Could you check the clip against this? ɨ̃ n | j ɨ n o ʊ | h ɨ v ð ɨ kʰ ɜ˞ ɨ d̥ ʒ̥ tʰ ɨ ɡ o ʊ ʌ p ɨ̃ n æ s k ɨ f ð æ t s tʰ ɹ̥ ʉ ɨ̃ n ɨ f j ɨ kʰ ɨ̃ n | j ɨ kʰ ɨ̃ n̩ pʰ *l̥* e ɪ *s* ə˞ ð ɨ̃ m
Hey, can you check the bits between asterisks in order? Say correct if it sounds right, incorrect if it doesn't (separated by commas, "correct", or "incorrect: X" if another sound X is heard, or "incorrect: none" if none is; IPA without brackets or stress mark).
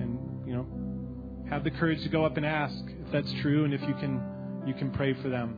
incorrect: ɹ̥, incorrect: f